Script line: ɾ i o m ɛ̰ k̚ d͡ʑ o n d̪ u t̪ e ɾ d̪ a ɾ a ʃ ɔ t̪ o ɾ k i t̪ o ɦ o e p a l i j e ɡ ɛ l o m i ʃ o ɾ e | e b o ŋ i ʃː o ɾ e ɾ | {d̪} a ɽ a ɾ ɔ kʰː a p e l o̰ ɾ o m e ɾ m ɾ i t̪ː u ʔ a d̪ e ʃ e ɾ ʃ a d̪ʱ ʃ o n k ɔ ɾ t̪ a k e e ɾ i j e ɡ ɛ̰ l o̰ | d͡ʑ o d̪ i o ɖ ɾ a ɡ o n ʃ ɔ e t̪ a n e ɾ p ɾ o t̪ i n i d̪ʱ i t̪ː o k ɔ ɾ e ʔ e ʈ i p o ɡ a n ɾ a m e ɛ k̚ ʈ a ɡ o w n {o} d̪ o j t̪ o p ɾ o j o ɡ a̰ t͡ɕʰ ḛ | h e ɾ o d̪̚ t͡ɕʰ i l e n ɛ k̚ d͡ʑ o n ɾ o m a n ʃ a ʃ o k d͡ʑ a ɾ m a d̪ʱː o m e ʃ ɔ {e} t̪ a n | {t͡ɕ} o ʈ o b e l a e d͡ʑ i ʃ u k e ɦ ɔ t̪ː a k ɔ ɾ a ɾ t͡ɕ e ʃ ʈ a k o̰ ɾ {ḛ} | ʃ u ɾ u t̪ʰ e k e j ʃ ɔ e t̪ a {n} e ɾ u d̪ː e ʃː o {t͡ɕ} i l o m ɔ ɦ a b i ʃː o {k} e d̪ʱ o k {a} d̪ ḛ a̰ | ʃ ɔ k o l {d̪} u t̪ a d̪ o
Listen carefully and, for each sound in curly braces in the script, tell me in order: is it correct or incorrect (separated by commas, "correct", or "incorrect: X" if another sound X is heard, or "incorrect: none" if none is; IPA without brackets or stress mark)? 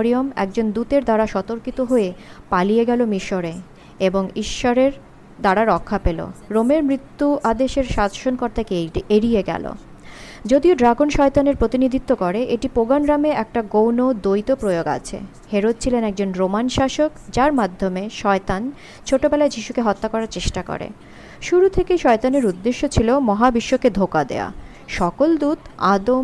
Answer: correct, correct, correct, incorrect: t͡ɕʰ, correct, correct, incorrect: t͡ɕʰ, correct, correct, correct